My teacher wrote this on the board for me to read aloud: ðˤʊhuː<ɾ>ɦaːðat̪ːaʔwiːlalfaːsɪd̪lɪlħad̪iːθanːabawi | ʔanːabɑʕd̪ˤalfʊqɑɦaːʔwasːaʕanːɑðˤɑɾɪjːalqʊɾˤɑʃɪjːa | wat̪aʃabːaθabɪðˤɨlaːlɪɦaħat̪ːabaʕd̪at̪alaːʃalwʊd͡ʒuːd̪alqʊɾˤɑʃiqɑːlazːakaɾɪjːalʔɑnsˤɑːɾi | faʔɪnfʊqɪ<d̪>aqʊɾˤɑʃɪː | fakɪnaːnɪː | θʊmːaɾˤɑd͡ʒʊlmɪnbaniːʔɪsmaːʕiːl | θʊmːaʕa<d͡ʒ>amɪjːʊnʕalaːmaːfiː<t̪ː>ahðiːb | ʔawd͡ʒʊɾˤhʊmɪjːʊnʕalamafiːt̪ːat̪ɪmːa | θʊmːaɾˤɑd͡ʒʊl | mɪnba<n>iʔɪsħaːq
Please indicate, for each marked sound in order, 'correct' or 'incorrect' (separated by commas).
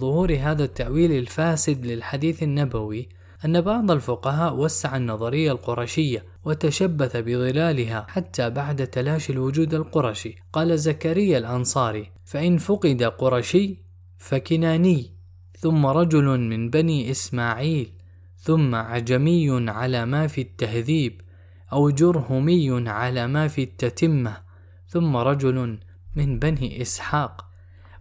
correct, correct, correct, correct, correct